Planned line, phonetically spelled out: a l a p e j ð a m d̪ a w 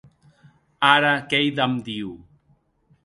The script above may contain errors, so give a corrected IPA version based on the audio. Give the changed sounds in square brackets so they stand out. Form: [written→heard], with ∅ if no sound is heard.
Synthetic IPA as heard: a [l→ɾ] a [p→k] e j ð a m d̪ [a→i] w